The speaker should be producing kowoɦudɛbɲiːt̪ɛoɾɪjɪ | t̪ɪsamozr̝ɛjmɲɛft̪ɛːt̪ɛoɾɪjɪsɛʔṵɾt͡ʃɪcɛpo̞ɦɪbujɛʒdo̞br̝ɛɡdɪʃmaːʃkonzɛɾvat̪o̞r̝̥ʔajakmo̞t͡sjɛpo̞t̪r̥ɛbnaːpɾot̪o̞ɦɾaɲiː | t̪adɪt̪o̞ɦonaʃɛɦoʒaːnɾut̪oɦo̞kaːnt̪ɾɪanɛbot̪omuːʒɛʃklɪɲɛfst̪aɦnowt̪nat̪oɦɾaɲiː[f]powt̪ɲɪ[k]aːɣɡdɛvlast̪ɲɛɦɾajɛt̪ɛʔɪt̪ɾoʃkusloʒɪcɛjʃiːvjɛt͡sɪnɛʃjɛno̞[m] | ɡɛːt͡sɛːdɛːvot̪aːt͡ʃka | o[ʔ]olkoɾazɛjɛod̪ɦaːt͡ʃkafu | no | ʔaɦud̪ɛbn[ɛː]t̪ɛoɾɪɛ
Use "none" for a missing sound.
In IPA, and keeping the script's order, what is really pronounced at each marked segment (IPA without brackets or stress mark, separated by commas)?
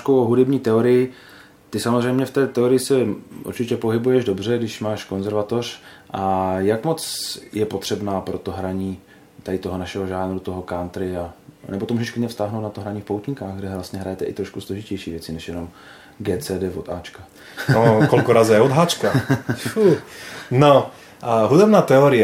f, k, m, k, aː